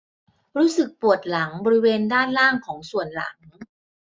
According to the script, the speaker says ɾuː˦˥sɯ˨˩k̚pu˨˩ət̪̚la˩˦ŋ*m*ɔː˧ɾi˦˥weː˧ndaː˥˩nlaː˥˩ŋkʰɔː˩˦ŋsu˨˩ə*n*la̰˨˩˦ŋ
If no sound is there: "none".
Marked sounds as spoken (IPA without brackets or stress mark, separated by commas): b, n